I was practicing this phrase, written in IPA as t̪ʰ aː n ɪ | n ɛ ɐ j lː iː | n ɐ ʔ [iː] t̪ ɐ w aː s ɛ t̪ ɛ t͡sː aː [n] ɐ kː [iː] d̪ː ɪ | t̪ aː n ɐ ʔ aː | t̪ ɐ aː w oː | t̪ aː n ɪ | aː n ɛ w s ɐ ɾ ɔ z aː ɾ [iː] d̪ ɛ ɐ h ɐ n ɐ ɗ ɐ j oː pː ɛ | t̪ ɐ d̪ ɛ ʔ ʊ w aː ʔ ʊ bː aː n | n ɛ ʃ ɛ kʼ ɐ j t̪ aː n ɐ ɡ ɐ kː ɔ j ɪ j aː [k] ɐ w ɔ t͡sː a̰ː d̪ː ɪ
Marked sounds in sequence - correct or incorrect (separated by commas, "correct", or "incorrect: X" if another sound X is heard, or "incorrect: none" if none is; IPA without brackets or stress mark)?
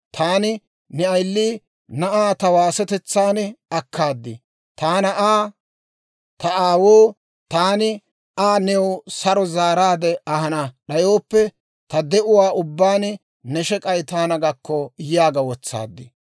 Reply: incorrect: aː, correct, incorrect: aː, incorrect: aː, incorrect: ɡ